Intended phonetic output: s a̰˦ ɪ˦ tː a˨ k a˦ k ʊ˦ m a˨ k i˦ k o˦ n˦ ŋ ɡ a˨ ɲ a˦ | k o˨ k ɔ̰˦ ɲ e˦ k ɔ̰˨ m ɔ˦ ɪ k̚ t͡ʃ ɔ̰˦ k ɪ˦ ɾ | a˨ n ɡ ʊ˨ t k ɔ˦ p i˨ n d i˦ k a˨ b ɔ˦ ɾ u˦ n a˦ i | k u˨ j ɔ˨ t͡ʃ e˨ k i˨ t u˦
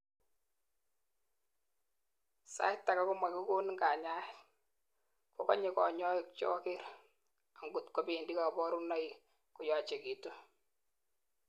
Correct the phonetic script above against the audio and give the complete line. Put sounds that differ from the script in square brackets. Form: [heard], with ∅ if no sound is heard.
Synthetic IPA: s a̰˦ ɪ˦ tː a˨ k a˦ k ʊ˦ m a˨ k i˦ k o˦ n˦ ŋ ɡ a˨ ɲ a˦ | k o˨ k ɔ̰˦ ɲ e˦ k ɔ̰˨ [ɲ] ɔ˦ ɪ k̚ t͡ʃ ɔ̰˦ k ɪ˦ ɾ | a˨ [ŋ] ɡ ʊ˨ t k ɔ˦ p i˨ n d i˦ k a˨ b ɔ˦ ɾ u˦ n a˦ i | k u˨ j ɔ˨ t͡ʃ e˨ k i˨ t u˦